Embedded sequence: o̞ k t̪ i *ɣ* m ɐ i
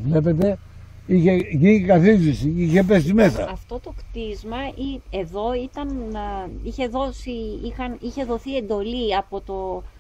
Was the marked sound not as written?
yes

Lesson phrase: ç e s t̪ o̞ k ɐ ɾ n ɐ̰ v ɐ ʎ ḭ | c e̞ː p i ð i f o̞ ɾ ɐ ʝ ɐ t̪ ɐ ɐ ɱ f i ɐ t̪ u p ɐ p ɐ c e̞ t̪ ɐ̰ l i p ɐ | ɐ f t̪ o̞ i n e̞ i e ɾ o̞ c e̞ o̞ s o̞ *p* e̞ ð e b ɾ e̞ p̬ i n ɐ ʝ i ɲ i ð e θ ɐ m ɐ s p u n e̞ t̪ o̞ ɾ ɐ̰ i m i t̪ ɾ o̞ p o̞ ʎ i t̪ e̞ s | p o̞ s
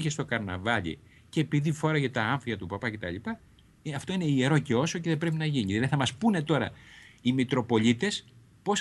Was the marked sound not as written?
yes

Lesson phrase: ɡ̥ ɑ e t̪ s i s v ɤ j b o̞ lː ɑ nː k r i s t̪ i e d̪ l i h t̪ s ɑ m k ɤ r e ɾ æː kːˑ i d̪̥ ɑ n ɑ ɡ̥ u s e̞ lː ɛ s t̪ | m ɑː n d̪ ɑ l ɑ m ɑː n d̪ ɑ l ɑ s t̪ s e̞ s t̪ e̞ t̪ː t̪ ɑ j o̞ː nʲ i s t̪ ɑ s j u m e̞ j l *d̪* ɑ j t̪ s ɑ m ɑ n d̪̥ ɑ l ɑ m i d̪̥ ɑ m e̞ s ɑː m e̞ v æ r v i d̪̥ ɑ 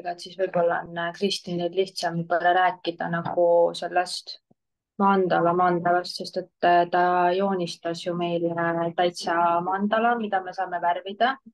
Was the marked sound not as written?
yes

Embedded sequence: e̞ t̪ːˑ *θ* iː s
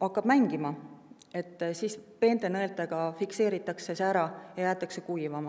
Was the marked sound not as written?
yes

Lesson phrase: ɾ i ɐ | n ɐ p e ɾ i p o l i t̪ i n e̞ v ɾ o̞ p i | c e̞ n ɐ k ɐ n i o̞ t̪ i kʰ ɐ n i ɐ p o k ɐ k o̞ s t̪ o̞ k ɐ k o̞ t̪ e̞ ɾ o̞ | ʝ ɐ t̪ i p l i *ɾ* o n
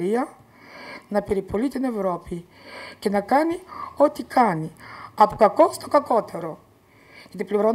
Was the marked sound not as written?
no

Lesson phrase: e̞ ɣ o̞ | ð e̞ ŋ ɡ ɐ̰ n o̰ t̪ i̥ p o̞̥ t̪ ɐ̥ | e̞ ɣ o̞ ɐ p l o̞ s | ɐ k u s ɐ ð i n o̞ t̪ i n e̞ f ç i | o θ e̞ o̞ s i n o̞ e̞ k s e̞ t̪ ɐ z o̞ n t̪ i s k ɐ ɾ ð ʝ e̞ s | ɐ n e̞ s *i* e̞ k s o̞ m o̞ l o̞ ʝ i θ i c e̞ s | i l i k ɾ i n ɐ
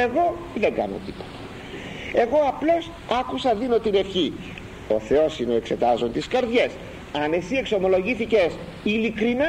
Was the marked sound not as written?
no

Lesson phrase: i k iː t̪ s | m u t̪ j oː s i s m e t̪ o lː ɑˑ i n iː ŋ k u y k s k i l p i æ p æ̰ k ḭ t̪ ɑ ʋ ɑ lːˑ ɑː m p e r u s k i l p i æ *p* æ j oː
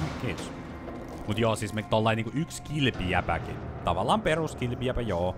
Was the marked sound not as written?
no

